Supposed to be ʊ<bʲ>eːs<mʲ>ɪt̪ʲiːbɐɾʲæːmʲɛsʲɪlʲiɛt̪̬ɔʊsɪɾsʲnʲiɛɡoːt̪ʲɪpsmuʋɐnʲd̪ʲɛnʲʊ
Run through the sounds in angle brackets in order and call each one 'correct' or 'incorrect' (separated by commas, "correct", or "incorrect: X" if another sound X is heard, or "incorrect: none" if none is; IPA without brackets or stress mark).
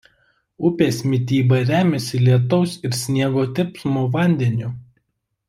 incorrect: pʲ, correct